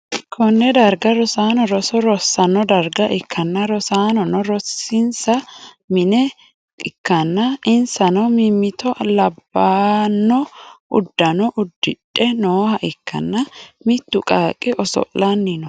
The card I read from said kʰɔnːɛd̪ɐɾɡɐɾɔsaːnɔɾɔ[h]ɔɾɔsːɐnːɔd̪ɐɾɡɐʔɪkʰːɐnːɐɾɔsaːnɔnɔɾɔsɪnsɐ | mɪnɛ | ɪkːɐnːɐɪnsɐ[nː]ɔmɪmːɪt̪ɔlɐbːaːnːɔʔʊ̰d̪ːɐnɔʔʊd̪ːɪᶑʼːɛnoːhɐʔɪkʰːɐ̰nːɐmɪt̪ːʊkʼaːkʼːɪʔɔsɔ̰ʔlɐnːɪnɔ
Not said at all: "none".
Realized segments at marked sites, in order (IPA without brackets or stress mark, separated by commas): s, n